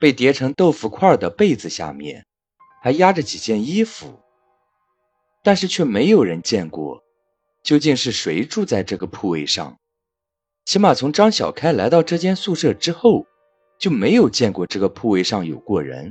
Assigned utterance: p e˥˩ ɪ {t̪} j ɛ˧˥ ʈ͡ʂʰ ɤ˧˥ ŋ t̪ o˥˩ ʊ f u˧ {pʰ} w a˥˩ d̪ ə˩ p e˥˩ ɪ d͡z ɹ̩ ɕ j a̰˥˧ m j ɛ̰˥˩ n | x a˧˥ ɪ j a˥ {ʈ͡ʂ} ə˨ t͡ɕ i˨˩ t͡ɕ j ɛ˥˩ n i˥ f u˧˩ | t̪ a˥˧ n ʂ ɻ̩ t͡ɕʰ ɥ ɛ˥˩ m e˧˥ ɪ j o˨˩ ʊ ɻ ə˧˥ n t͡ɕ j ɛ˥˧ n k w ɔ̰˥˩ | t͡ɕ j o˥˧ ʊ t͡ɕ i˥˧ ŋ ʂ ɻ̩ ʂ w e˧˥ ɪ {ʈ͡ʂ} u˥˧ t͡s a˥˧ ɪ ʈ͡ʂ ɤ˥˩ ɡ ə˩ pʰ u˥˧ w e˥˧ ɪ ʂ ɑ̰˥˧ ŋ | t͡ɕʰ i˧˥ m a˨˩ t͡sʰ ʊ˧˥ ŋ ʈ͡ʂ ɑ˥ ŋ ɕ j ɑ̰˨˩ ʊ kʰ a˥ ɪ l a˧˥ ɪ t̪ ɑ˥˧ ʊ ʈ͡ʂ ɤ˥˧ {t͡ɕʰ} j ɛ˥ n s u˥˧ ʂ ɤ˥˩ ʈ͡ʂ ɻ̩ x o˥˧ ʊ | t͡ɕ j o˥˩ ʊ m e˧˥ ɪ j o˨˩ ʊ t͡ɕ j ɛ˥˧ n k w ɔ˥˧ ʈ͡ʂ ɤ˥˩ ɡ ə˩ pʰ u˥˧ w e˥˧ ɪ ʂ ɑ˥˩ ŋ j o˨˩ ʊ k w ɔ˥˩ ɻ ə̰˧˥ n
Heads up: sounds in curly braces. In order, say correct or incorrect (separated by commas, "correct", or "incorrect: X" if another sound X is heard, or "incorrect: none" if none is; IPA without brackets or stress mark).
correct, incorrect: kʰ, correct, correct, incorrect: t͡ɕ